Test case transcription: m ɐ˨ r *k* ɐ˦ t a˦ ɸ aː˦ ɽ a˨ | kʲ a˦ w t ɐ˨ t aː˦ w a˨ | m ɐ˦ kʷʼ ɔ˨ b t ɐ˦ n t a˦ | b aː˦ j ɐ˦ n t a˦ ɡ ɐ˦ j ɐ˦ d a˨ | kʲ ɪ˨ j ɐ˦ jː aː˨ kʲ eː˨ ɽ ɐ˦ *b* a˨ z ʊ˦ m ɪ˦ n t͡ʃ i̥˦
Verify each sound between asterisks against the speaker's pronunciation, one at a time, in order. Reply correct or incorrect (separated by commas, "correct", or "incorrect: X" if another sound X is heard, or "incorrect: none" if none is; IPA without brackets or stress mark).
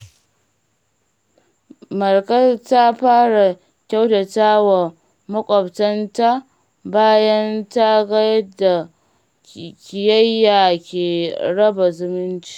correct, correct